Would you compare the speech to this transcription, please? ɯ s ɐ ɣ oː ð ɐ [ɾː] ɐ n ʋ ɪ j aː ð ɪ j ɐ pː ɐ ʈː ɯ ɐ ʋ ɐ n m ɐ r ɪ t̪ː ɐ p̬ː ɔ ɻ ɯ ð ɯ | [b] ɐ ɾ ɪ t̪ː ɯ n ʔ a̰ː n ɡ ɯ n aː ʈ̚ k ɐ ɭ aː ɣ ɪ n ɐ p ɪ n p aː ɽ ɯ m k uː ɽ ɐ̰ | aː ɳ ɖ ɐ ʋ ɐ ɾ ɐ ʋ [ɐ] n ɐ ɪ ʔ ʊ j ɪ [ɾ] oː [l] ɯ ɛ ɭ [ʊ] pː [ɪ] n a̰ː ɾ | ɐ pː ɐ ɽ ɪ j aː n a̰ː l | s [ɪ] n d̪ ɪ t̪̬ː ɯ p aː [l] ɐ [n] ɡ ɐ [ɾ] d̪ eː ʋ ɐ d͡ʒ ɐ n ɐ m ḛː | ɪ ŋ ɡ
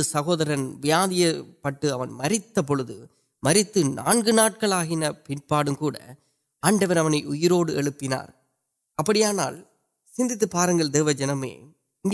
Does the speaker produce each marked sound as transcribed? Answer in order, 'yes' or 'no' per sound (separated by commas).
no, no, yes, yes, no, no, yes, yes, no, no, no